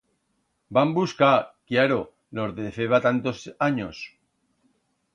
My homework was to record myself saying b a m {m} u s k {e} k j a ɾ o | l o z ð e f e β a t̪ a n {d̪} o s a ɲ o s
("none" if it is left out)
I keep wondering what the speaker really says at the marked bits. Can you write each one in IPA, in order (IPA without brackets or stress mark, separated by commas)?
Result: b, a, t̪